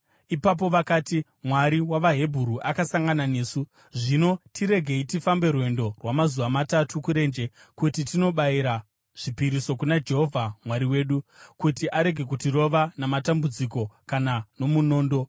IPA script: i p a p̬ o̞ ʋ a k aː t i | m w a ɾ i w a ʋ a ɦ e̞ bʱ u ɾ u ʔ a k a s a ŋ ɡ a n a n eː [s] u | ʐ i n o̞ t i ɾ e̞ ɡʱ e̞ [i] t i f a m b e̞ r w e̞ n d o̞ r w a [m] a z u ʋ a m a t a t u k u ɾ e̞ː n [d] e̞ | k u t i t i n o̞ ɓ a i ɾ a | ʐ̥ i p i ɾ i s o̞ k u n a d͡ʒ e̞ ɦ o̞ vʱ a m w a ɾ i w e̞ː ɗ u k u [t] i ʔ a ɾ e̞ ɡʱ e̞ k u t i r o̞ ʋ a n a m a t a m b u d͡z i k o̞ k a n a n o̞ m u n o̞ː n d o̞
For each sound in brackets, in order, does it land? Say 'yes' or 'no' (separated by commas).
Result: yes, yes, yes, no, yes